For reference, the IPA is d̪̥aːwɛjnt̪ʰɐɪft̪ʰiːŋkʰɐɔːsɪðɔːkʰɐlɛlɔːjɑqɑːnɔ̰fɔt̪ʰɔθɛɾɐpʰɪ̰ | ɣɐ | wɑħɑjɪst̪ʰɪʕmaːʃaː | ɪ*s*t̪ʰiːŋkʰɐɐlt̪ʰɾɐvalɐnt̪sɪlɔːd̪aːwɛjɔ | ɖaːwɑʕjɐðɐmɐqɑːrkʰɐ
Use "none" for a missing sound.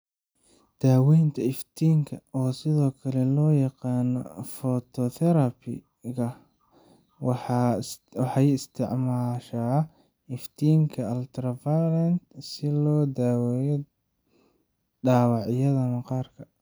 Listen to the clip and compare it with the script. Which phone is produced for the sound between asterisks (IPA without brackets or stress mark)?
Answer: f